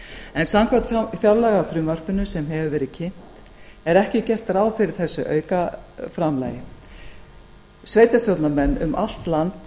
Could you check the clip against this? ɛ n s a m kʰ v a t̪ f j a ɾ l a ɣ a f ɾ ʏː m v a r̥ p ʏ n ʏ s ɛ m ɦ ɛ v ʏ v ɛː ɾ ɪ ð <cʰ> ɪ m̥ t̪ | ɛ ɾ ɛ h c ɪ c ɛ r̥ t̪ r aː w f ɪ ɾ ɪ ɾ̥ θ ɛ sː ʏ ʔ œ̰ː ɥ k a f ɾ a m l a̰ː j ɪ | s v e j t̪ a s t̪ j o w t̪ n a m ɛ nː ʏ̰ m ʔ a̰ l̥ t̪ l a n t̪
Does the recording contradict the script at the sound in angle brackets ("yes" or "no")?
no